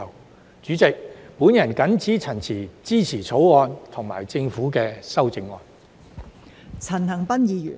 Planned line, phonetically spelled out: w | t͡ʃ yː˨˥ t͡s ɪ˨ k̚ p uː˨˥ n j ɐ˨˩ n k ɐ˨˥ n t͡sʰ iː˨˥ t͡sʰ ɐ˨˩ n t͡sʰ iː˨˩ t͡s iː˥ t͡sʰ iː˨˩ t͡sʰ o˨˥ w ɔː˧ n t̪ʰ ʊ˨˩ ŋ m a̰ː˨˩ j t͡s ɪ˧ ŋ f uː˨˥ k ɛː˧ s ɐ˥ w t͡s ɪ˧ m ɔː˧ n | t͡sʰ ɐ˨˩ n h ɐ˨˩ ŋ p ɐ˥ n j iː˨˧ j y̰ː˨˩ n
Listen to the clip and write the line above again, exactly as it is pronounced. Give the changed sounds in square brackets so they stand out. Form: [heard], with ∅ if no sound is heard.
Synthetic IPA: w | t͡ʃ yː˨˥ t͡s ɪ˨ k̚ p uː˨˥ n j ɐ˨˩ n k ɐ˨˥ n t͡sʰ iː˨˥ t͡sʰ ɐ˨˩ n t͡sʰ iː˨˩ t͡s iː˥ t͡sʰ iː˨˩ t͡sʰ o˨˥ w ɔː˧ n t̪ʰ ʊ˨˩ ŋ m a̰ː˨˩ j t͡s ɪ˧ ŋ f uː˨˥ k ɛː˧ s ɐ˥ w t͡s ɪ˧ [ŋ] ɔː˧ n | t͡sʰ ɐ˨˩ n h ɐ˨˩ ŋ p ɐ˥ n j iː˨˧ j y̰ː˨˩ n